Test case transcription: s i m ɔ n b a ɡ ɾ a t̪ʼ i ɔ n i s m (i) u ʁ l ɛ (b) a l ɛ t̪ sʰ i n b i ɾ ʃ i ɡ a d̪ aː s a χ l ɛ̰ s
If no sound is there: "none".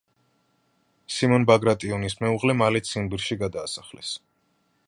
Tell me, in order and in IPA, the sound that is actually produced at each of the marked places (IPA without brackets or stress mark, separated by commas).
ɛ, m